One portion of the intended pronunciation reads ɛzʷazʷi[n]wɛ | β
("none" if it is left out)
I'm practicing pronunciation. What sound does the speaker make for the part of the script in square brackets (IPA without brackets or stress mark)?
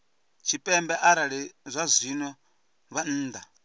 n